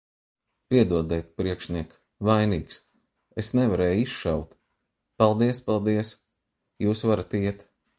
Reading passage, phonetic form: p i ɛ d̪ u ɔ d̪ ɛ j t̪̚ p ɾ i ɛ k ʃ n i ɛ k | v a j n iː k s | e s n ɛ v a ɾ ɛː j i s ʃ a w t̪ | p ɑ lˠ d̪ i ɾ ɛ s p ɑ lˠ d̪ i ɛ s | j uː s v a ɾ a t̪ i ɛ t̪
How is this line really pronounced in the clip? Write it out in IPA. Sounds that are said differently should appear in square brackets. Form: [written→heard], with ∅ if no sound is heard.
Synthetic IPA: p i ɛ d̪ u ɔ d̪ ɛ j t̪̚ p ɾ i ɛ k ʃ n i ɛ k | v a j n iː k s | e s n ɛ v a ɾ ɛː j i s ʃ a w t̪ | p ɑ lˠ d̪ i [ɾ→∅] ɛ s p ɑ lˠ d̪ i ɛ s | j uː s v a ɾ a t̪ i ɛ t̪

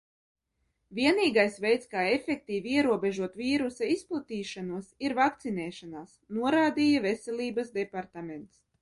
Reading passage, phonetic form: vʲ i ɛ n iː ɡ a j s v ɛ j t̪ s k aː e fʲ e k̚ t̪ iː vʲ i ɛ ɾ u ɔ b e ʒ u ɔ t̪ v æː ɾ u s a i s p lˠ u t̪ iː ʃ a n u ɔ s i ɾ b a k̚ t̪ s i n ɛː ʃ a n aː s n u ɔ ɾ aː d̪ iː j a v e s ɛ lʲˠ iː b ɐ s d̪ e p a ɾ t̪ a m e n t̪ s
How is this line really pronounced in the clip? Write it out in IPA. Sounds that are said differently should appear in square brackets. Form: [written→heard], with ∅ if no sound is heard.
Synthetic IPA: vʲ i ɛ n iː ɡ a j s v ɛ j t̪ s k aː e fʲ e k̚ t̪ iː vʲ i ɛ ɾ u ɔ b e ʒ u ɔ t̪ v [æː→iː] ɾ u s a i s p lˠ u t̪ iː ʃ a n u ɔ s i ɾ [b→v] a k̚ t̪ s i n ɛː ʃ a n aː s n u ɔ ɾ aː d̪ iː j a v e s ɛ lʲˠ iː b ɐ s d̪ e p a ɾ t̪ a m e n t̪ s

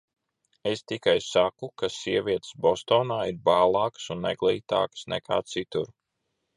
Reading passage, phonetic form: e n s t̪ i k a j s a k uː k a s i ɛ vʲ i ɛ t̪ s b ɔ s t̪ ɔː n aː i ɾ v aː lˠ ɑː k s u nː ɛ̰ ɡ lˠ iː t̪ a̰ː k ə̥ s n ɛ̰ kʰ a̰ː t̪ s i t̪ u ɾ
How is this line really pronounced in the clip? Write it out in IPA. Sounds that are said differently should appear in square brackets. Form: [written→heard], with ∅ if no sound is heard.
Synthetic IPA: e [n→∅] s t̪ i k a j s a k [uː→u] k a s i ɛ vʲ i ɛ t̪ s b ɔ s t̪ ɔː n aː i ɾ [v→b] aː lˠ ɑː k s u nː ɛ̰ ɡ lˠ iː t̪ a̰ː k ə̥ s n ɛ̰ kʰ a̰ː t̪ s i t̪ u ɾ

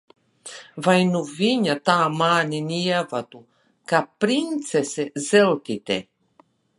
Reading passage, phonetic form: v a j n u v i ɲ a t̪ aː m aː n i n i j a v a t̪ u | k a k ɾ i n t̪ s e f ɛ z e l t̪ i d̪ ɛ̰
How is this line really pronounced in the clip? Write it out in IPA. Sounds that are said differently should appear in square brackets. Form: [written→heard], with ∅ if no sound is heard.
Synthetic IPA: v a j n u v i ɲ a t̪ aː m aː n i n i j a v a t̪ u | k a [k→p] ɾ i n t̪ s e [f→s] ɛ z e l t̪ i [d̪→t̪] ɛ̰

